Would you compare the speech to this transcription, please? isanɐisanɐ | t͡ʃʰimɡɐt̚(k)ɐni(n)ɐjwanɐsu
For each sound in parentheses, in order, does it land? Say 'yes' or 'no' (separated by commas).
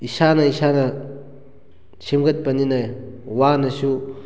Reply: no, yes